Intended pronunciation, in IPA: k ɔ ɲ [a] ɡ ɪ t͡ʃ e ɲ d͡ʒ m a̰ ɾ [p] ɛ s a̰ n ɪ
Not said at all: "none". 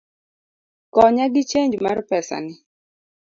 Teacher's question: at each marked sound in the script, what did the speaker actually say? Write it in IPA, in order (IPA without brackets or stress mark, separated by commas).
a, p